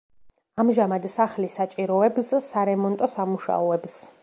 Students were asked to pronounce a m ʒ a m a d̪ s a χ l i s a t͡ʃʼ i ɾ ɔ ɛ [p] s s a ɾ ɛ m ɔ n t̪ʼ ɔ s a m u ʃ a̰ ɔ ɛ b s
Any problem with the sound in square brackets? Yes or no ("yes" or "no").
yes